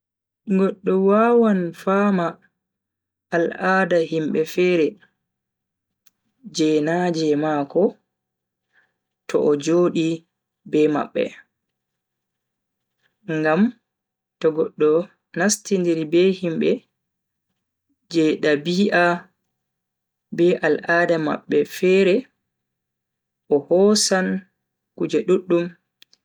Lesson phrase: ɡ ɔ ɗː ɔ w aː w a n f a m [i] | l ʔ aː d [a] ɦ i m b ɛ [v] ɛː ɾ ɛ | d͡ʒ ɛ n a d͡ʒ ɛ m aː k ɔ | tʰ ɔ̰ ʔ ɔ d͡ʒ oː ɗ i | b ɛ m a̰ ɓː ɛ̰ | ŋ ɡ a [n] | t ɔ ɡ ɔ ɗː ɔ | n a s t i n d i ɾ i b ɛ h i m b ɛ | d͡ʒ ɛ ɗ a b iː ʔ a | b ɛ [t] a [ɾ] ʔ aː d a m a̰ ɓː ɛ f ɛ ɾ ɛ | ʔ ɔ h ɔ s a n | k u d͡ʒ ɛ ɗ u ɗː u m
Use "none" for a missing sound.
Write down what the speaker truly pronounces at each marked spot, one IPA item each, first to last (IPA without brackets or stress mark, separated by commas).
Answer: a, a, f, m, ʔ, l